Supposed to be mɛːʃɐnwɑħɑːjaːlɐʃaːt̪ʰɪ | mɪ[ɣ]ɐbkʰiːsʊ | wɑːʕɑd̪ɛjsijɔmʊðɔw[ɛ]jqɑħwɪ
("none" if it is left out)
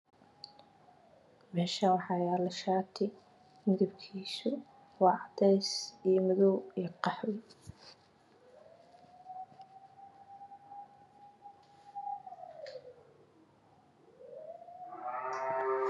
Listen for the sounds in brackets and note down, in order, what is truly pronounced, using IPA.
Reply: ð, i

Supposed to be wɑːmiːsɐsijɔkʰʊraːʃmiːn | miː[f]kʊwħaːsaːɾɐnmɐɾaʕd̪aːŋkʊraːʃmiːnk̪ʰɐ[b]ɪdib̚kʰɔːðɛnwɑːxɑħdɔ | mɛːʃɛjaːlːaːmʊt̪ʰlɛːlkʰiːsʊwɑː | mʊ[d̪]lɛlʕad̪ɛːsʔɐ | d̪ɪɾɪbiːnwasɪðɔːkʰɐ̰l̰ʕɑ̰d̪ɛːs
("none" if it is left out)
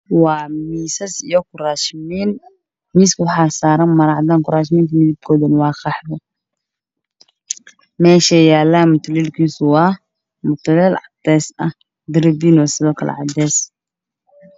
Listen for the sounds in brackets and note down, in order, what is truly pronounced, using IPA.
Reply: s, m, t̪

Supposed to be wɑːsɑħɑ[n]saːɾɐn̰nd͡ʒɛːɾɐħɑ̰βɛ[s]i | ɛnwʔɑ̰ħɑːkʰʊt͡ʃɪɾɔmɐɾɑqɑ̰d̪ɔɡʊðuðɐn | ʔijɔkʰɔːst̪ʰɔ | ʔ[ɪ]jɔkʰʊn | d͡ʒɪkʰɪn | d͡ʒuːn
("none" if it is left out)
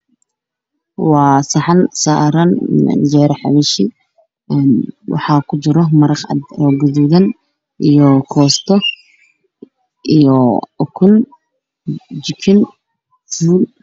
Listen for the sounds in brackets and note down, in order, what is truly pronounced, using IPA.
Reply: n, ʃ, i

